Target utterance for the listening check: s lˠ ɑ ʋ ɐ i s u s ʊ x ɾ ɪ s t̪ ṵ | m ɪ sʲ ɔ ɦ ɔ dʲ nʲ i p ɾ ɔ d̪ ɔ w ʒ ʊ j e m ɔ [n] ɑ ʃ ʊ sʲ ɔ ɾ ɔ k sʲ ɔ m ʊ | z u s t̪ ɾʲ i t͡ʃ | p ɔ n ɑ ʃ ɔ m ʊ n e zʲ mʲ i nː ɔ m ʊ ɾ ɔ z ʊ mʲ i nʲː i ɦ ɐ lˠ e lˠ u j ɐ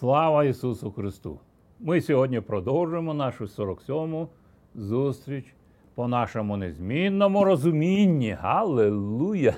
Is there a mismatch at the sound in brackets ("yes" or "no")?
no